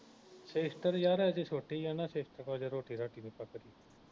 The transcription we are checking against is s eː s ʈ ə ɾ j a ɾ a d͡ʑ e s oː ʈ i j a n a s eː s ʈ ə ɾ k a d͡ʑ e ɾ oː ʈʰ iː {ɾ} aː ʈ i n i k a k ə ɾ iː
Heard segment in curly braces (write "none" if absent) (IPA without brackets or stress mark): ɾ